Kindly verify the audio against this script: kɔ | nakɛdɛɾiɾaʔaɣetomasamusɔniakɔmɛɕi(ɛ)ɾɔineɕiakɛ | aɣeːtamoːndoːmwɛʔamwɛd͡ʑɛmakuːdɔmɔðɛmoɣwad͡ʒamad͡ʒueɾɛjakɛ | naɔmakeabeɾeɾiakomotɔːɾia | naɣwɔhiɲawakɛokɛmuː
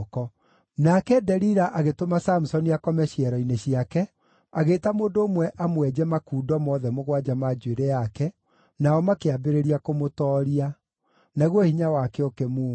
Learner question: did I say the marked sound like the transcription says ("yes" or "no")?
yes